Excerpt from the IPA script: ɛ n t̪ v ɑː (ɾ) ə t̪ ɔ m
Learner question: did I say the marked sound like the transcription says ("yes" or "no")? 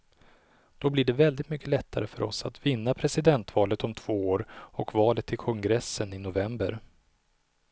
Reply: no